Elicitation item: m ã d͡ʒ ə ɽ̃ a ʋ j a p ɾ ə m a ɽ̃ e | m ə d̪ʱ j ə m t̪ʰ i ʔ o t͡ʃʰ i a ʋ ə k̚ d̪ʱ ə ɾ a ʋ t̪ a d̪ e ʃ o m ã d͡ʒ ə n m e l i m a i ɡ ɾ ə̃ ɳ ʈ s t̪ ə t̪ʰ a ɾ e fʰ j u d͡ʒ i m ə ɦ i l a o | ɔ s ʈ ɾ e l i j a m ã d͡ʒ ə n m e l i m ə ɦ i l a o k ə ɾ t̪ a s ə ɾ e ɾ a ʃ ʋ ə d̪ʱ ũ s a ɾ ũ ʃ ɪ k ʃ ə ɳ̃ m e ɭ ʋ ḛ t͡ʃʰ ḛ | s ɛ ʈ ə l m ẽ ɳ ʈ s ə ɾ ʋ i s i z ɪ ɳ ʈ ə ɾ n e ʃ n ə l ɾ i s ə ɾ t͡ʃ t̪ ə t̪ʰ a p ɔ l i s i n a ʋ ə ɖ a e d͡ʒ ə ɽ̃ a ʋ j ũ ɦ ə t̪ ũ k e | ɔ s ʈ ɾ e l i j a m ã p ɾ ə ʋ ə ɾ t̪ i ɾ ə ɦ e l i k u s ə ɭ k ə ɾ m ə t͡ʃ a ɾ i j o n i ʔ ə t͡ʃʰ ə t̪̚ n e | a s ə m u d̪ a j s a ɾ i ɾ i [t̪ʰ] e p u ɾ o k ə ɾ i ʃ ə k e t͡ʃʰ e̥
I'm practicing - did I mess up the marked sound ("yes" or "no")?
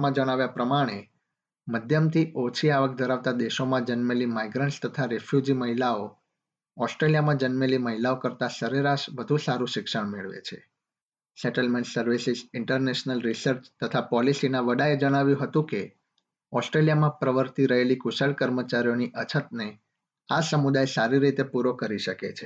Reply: yes